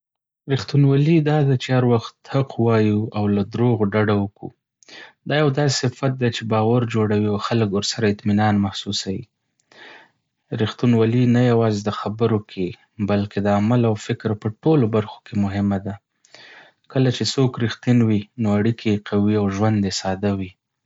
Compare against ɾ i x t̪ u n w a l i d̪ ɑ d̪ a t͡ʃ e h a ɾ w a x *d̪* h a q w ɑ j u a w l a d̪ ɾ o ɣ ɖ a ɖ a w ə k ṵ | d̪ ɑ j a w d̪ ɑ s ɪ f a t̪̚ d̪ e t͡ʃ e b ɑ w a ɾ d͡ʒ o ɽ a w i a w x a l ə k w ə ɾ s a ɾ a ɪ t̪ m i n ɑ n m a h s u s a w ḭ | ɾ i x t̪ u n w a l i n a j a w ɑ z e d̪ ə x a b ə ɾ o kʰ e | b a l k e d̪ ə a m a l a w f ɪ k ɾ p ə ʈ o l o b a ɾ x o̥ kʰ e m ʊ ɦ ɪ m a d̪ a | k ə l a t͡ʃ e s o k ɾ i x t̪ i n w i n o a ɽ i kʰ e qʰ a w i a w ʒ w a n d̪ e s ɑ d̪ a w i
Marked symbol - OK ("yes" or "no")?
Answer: no